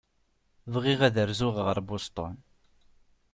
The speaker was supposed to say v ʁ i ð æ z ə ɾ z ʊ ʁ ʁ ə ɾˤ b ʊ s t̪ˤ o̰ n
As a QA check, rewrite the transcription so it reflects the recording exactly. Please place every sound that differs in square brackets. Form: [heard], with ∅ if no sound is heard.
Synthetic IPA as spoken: v ʁ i [ʁ] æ [ð] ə ɾ z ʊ ʁ ʁ ə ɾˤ b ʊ s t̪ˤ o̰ n